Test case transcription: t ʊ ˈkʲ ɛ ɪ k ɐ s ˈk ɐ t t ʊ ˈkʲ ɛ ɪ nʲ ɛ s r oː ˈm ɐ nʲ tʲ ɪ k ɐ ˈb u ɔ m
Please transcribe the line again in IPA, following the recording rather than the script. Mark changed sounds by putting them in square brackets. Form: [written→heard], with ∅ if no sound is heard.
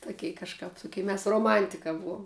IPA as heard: t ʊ ˈkʲ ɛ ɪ k ɐ [s→ʃ] ˈk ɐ [t→p] t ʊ ˈkʲ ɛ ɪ [nʲ→mʲ] ɛ s r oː ˈm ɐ nʲ tʲ ɪ k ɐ ˈb u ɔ m